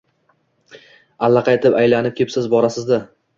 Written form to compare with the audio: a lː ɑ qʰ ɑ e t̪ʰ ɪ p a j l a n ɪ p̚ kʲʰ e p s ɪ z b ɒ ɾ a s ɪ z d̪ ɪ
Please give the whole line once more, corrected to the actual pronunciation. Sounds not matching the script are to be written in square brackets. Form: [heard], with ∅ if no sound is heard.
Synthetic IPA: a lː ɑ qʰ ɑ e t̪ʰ ɪ p a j l a n ɪ p̚ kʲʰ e p s ɪ z b ɒ ɾ a s ɪ z d̪ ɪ